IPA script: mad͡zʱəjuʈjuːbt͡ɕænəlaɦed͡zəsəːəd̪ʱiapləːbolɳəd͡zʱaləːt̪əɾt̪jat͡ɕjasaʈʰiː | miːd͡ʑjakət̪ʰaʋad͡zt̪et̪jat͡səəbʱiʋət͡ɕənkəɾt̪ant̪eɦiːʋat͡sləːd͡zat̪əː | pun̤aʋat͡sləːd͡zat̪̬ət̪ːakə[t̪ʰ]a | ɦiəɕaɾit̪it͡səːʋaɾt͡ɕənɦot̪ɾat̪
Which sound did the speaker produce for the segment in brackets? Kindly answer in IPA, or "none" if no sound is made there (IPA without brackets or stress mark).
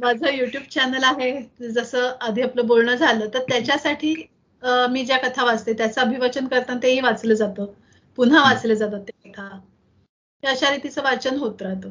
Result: t̪ʰ